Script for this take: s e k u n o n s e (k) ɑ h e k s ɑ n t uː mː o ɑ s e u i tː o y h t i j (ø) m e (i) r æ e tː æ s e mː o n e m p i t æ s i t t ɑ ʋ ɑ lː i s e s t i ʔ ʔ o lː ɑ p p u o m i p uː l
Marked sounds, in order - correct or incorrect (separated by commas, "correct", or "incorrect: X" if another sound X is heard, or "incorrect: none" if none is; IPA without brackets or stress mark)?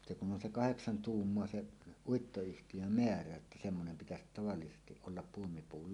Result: correct, correct, incorrect: æ